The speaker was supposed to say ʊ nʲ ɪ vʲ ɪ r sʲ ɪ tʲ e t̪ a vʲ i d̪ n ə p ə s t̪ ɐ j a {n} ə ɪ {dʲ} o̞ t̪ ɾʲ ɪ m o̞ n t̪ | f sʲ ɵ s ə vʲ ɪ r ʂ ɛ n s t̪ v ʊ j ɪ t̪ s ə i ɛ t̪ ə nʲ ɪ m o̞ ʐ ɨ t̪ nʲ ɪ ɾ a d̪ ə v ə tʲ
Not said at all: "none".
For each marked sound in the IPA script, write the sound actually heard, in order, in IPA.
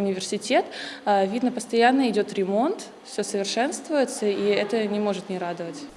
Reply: nː, dʲ

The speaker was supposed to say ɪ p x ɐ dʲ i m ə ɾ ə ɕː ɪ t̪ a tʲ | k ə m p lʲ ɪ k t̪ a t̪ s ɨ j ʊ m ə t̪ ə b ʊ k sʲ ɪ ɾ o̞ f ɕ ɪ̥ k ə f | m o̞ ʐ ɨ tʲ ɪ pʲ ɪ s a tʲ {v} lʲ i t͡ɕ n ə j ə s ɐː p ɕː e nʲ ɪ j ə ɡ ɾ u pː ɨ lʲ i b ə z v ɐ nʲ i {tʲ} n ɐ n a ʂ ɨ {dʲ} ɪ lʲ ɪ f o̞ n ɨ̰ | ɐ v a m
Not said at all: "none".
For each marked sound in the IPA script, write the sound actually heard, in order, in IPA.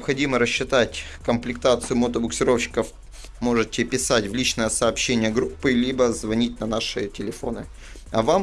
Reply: v, tʲ, tʲ

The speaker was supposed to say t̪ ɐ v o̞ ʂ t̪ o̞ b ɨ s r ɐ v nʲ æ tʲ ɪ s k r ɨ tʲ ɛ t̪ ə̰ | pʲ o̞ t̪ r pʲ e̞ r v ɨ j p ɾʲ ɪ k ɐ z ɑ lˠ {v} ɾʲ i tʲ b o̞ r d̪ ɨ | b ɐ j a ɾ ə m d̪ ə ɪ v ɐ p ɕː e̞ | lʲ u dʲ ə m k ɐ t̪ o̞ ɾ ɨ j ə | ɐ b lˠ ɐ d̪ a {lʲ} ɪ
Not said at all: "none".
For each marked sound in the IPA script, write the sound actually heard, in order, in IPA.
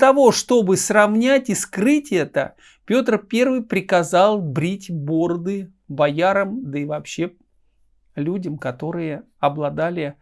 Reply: b, lʲ

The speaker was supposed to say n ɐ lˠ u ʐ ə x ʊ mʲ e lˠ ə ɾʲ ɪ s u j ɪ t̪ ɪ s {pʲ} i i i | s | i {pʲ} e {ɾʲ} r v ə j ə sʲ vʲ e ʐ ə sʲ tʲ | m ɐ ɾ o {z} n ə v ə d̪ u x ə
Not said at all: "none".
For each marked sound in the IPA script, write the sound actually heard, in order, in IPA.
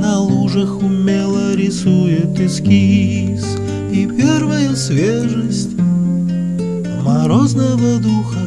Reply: kʲ, pʲ, none, z

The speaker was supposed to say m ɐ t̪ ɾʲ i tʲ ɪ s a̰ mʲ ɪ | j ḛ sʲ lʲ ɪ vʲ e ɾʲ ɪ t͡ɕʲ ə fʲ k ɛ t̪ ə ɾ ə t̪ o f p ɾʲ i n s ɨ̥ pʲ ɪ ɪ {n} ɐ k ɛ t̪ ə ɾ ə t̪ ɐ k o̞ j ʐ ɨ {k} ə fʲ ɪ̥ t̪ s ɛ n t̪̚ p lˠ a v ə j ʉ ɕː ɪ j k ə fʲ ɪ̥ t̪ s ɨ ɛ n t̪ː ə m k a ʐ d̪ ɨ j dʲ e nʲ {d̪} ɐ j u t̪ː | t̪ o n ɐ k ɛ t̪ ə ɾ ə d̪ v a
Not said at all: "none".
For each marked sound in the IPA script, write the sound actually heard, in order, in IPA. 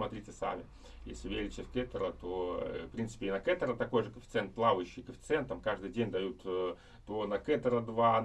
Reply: n, k, d̪

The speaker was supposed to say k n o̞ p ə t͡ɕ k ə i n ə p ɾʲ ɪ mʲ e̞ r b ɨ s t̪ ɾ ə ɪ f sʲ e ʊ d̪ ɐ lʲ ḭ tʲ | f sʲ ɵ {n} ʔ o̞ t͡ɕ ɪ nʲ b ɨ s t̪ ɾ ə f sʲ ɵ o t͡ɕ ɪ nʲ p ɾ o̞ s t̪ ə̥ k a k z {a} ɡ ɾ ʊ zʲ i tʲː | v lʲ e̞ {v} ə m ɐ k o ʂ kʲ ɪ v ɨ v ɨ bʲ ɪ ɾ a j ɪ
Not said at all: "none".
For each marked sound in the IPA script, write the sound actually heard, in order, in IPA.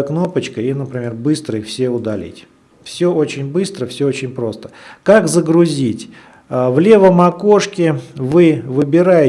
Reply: none, ə, v

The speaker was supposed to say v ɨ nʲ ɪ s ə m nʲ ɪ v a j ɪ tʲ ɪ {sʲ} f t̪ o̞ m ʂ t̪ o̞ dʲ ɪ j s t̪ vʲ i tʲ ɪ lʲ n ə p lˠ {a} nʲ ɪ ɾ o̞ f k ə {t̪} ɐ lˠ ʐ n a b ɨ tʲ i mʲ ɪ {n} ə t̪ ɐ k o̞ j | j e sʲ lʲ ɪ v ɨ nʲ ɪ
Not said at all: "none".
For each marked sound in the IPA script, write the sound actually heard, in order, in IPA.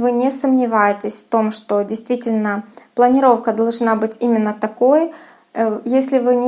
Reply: sʲ, ə, d̪, nː

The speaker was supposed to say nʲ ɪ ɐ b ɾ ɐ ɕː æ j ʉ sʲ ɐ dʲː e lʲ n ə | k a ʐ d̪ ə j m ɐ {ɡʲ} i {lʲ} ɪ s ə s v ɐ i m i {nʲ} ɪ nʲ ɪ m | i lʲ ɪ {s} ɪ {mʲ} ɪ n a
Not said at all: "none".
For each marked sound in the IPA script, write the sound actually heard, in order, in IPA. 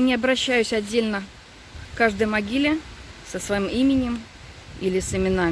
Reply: ɡʲ, lʲ, mʲ, s, mʲ

